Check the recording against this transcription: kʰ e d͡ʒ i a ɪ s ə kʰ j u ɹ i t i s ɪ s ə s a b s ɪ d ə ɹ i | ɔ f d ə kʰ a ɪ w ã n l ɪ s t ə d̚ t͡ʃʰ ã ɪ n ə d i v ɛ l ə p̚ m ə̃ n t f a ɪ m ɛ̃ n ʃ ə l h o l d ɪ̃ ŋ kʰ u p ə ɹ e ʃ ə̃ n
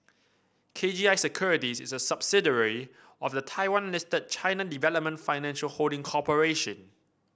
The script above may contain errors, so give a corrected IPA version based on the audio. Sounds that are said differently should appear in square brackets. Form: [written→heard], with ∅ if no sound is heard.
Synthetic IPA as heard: kʰ e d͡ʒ i a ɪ s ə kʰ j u ɹ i t i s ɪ s ə s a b s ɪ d ə ɹ i | ɔ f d ə [kʰ→tʰ] a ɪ w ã n l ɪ s t ə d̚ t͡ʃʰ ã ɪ n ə d i v ɛ l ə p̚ m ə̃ n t f a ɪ [m→n] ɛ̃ n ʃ ə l h o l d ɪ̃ ŋ kʰ [u→ɔ] p ə ɹ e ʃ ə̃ n